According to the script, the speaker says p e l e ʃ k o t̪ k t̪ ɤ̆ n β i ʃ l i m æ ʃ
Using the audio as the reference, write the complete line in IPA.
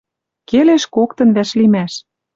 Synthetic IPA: k e l e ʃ k o k t̪ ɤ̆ n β æ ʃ l i m æ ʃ